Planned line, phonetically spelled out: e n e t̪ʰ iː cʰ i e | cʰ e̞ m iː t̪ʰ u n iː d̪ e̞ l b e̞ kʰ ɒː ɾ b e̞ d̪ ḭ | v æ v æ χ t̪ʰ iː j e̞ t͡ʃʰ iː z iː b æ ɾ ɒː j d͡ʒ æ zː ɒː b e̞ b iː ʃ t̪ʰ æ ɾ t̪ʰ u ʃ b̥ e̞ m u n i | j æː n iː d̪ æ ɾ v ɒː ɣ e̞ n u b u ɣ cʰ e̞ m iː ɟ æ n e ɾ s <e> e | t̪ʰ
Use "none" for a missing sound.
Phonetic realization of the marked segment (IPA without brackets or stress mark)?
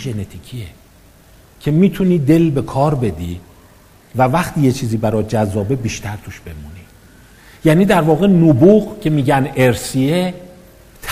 i